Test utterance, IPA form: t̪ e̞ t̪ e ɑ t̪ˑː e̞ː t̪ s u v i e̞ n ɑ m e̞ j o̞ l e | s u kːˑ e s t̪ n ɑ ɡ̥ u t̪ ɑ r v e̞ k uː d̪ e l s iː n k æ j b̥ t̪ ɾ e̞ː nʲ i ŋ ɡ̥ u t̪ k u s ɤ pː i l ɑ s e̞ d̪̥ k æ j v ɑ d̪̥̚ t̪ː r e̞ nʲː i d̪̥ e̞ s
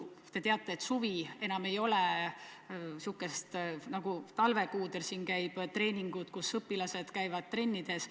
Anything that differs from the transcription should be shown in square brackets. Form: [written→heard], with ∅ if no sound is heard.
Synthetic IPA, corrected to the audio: t̪ e̞ t̪ e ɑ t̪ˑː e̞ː t̪ s u v i e̞ n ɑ m e̞ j o̞ l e | s u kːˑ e s t̪ n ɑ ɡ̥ u t̪ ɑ [r→l] v e̞ k uː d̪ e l s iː n k æ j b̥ t̪ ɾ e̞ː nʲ i ŋ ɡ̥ u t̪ k u s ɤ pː i l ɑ s e̞ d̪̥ k æ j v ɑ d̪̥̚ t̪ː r e̞ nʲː i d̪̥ e̞ s